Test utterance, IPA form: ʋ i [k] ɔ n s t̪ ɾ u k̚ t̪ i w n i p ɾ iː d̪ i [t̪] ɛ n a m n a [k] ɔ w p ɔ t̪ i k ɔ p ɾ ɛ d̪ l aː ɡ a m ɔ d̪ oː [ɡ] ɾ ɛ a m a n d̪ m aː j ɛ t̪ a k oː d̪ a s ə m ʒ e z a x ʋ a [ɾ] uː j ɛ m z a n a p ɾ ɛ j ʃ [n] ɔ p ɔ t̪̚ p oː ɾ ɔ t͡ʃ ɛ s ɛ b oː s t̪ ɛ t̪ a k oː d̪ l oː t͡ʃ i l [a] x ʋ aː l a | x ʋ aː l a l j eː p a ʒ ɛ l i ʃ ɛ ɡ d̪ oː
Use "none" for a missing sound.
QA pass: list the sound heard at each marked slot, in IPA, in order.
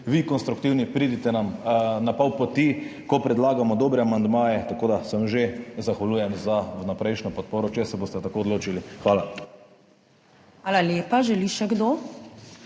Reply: k, t̪, p, b, l, n, i

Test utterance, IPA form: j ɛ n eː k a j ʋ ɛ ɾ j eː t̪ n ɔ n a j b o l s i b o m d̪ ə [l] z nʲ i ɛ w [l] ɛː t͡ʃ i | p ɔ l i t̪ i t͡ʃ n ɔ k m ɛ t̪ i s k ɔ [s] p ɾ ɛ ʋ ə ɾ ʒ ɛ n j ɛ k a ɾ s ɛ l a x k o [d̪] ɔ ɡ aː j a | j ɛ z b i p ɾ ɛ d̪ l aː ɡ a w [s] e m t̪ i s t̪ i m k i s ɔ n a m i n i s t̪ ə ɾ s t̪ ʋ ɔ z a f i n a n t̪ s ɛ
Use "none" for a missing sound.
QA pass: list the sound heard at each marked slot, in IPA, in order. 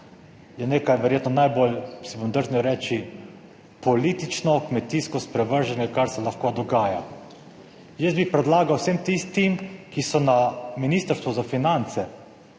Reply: ɾ, ɾ, s, d̪, s

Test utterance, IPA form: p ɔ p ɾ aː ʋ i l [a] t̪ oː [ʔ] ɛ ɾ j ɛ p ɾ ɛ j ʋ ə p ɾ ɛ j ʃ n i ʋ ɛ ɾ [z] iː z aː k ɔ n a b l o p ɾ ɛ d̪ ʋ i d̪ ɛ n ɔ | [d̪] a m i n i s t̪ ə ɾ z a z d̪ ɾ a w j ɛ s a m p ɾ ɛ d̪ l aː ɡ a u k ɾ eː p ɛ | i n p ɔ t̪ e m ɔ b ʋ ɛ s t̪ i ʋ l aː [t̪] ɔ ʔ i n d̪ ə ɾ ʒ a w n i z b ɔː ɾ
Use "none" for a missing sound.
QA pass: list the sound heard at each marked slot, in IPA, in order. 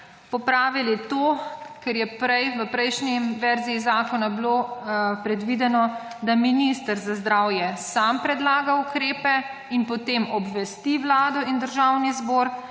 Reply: i, k, z, d̪, d̪

